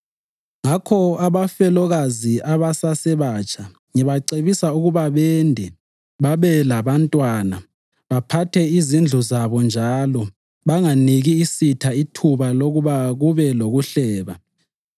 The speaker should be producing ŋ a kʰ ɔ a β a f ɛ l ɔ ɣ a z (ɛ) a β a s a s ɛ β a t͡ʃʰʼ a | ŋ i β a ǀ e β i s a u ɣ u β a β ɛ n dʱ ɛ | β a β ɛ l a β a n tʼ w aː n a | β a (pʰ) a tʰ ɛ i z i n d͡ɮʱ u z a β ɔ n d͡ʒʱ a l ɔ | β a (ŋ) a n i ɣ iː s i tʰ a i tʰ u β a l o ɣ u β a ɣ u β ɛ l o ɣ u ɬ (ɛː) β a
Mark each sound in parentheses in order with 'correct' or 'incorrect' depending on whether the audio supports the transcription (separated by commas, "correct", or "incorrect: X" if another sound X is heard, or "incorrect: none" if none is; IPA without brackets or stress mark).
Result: incorrect: i, correct, correct, correct